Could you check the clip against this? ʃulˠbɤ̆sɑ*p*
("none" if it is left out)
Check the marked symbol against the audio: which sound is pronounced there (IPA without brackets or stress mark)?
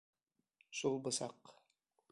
q